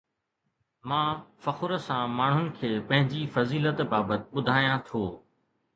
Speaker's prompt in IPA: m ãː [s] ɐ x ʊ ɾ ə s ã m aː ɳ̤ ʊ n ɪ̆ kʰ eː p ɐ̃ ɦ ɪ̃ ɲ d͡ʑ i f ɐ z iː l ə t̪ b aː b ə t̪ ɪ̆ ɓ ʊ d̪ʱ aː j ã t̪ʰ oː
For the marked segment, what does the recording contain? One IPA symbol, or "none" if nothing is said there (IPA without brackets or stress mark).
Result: f